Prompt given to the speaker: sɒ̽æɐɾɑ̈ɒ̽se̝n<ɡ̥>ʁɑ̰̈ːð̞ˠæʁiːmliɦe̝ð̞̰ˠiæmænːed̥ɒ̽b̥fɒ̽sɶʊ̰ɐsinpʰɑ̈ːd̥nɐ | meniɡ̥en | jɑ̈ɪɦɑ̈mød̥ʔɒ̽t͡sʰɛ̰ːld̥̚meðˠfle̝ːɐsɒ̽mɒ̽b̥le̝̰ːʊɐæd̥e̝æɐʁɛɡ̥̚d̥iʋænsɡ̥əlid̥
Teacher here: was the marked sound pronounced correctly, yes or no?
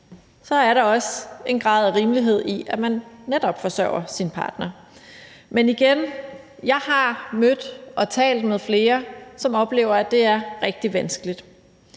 yes